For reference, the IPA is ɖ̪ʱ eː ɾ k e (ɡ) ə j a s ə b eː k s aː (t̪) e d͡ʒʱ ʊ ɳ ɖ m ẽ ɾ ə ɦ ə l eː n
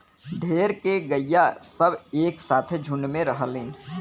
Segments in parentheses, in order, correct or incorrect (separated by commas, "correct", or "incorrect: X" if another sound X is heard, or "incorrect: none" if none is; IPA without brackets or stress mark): correct, incorrect: t̪ʰ